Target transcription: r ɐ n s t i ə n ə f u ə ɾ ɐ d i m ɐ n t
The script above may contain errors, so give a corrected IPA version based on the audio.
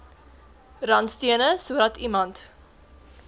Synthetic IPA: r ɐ n s t i ə n ə s u ə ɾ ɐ t i m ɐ n t